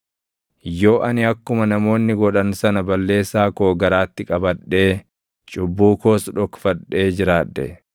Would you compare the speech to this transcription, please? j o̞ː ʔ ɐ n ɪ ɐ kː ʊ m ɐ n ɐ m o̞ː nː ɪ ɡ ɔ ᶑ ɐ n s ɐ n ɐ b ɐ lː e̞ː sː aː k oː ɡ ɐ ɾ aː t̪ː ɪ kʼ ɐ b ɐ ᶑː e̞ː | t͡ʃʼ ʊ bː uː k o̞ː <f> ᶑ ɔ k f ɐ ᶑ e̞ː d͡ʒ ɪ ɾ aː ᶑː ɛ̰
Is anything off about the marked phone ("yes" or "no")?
yes